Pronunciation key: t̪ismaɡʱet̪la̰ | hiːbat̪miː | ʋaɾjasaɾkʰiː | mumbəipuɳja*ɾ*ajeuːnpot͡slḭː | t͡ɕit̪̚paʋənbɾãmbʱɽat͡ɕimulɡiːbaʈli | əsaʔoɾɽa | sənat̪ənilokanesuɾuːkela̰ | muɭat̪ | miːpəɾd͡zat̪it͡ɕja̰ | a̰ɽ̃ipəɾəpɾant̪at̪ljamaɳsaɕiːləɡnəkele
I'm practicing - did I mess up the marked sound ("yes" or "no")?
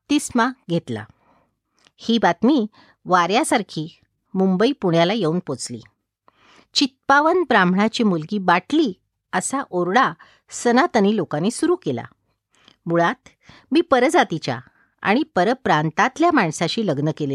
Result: yes